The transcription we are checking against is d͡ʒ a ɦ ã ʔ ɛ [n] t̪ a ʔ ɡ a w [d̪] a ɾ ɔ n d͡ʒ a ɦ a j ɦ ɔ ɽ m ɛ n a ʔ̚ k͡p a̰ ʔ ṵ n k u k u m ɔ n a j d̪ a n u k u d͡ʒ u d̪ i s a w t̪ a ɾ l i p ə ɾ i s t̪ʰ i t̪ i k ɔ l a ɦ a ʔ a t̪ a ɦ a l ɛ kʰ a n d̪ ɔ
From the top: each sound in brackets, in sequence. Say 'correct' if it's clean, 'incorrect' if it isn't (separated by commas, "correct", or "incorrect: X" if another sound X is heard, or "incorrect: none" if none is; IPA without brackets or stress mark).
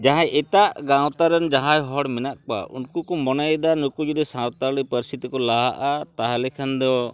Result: incorrect: none, incorrect: t̪